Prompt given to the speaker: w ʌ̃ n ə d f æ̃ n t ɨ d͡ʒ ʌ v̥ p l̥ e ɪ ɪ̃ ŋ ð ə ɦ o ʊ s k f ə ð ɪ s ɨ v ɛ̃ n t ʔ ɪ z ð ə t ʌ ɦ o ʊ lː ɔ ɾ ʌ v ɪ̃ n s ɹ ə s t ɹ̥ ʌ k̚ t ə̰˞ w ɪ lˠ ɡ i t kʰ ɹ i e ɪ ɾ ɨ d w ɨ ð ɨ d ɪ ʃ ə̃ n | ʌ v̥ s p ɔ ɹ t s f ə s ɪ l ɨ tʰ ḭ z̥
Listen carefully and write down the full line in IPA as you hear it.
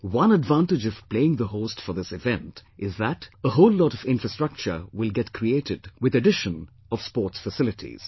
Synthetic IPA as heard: w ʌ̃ n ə d v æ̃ n t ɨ d͡ʒ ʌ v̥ p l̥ e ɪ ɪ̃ ŋ ð ə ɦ o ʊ s t f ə ð ɪ s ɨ v ɛ̃ n t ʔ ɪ z ð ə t ə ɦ o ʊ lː ɔ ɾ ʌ v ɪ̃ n f ɹ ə s t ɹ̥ ʌ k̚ t͡ʃ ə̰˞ w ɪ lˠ ɡ ɛ t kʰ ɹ i e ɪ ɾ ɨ d w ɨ ð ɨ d ɪ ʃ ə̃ n | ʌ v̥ s p ɔ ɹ t s f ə s ɪ l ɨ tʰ ḭ z̥